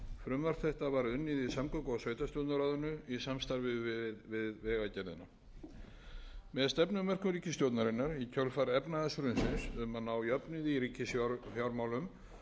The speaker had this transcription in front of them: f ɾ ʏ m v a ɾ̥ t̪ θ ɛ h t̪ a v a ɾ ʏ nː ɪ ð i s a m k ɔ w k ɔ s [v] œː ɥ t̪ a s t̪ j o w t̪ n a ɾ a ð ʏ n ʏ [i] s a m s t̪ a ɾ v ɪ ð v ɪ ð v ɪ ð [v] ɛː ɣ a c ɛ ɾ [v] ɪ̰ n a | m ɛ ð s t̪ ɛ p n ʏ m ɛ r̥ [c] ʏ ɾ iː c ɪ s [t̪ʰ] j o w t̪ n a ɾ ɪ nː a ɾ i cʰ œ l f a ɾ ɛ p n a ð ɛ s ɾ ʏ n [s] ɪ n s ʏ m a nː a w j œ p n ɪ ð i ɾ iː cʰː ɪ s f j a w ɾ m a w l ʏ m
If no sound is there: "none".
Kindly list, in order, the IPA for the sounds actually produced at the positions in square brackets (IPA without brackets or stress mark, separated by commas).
v, i, v, ð, k, t̪, s